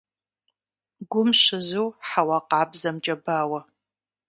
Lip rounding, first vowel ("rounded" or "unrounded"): rounded